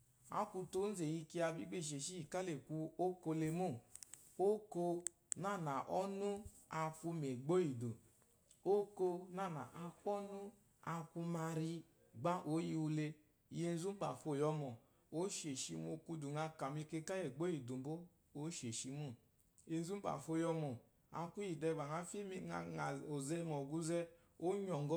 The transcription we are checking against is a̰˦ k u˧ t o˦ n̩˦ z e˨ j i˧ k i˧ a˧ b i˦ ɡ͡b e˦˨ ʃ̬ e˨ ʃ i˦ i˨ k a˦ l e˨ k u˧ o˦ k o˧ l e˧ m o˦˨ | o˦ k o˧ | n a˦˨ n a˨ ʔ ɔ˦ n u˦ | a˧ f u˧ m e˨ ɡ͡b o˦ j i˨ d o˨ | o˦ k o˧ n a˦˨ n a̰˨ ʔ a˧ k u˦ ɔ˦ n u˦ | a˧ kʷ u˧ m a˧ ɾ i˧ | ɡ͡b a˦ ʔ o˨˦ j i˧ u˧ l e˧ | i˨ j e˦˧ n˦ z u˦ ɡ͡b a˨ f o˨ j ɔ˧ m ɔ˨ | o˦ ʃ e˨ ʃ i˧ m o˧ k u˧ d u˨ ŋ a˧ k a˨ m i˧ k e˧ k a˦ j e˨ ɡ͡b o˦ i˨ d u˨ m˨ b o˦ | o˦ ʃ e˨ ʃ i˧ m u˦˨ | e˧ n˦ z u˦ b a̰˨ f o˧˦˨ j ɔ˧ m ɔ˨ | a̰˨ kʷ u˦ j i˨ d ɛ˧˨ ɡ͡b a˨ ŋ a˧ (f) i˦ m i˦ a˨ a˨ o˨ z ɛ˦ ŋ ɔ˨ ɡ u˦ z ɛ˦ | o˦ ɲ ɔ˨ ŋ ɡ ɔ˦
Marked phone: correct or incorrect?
correct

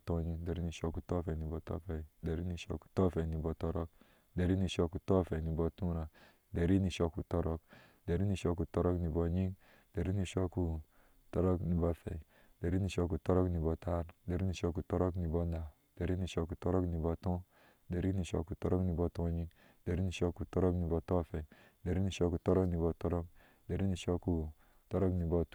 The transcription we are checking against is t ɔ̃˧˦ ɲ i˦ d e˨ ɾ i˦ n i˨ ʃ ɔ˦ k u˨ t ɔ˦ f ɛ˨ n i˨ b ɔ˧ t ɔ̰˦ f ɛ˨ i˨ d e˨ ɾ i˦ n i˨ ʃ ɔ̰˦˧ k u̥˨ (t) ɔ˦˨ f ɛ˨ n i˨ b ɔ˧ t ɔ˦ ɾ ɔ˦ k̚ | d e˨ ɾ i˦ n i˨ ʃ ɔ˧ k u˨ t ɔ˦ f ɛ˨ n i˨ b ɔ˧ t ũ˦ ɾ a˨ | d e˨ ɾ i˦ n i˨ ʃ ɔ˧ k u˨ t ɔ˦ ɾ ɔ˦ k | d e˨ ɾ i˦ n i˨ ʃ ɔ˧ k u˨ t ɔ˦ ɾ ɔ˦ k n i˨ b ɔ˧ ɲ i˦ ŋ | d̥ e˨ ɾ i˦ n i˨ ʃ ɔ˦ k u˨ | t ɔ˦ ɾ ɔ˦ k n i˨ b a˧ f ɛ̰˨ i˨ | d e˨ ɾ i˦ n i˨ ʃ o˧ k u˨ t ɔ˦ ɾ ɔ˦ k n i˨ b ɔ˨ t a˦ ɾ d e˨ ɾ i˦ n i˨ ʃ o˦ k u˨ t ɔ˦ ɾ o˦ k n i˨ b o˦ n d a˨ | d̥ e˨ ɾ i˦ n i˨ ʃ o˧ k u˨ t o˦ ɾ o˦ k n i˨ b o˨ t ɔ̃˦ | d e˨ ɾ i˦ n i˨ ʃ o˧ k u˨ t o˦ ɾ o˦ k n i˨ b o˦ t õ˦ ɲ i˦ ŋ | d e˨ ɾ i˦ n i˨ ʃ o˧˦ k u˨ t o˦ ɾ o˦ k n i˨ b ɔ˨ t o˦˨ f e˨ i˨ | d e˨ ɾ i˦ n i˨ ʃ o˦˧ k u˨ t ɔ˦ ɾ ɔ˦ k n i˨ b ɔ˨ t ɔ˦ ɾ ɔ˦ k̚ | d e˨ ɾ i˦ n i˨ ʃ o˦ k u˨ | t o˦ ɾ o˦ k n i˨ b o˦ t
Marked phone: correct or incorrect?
correct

